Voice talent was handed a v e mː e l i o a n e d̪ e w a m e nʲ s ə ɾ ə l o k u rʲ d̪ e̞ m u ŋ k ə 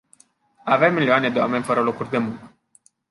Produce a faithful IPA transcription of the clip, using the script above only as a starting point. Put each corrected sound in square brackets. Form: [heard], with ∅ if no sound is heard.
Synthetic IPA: a v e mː [i] l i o a n e d̪ e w a m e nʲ [f] ə ɾ ə l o k u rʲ d̪ e̞ m u ŋ k ə